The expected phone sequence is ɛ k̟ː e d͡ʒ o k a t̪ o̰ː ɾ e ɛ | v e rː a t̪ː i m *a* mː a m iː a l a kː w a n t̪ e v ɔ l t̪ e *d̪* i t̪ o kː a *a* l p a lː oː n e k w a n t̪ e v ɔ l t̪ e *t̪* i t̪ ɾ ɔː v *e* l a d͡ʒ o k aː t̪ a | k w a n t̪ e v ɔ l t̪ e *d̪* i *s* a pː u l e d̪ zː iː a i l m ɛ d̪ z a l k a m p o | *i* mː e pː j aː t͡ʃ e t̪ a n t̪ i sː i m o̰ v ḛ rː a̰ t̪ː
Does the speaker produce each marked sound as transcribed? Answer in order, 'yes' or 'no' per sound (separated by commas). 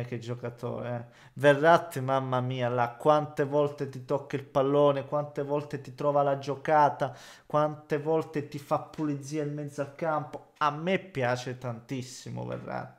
yes, no, no, yes, no, no, no, no